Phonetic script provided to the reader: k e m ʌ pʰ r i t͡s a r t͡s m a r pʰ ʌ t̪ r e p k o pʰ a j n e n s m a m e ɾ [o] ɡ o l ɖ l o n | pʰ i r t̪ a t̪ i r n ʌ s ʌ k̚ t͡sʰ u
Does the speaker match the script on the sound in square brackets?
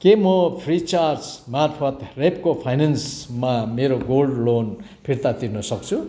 yes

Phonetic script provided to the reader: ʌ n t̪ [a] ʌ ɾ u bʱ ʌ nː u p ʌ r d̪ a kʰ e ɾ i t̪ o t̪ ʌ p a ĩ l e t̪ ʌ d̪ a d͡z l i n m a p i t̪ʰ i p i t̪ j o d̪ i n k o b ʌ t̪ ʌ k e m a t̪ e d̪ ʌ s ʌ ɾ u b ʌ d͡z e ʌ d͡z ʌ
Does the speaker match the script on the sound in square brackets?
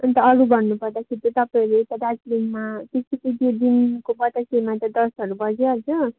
no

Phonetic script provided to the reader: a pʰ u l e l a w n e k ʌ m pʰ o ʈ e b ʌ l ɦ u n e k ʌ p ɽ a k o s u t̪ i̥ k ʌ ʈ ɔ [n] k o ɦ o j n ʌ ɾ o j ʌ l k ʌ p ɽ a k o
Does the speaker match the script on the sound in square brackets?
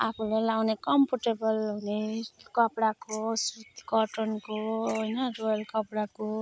yes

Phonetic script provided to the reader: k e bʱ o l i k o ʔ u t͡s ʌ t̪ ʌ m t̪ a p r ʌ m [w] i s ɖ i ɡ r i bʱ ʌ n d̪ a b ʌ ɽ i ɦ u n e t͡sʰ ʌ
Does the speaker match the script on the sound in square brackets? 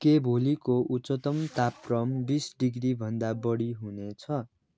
no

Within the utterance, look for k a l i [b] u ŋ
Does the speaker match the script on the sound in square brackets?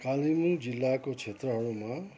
no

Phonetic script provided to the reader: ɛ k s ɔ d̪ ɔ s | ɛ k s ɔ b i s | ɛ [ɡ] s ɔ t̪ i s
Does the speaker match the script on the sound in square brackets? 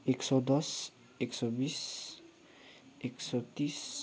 no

